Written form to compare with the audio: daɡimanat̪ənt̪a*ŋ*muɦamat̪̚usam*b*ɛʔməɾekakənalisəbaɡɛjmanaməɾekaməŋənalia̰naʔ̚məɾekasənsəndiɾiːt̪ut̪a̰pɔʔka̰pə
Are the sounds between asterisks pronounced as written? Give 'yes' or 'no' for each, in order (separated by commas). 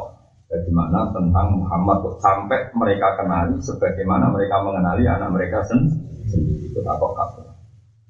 yes, no